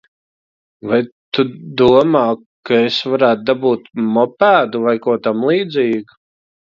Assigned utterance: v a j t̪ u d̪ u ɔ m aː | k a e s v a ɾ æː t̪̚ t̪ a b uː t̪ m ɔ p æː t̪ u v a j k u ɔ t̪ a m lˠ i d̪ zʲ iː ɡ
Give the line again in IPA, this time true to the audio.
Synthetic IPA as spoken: v a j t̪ u d̪ u ɔ m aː | k a e s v a ɾ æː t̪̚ d̪ a b uː t̪ m ɔ p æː d̪ u v a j k u ɔ t̪ a m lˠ iː d̪ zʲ iː ɡ